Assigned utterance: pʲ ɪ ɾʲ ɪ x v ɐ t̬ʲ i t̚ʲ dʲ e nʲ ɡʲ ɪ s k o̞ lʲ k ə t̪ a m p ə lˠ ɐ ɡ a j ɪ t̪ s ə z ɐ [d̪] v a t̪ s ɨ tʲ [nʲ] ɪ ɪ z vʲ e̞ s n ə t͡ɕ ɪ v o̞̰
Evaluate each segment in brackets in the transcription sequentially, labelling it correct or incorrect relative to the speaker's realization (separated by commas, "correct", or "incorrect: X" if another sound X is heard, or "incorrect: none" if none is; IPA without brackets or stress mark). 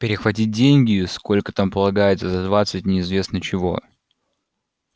correct, correct